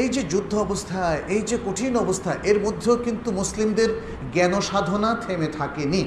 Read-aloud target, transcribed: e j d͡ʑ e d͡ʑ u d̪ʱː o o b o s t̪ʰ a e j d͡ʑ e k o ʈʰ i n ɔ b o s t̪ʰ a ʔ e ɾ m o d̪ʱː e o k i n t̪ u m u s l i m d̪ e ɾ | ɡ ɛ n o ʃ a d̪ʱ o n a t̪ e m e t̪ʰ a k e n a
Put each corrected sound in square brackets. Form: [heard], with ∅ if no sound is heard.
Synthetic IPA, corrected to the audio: e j d͡ʑ e d͡ʑ u d̪ʱː o [ɔ] b o s t̪ʰ a e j d͡ʑ e k o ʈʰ i n ɔ b o s t̪ʰ a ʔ e ɾ m o d̪ʱː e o k i n t̪ u m u s l i m d̪ e ɾ | ɡ ɛ n o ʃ a d̪ʱ o n a [t̪ʰ] e m e t̪ʰ a k e n [i]